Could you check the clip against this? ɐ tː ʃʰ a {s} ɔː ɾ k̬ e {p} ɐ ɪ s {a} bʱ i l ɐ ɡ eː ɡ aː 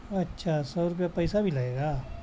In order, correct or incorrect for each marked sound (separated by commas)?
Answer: correct, correct, correct